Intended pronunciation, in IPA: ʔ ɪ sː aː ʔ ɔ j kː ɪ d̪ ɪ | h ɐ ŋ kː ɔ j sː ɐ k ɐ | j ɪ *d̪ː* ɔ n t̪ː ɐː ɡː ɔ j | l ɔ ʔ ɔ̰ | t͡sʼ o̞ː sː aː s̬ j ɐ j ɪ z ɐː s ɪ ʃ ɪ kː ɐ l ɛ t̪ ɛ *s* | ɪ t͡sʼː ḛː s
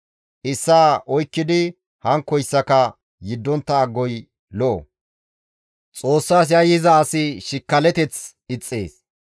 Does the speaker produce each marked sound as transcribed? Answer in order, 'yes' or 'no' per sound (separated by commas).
yes, no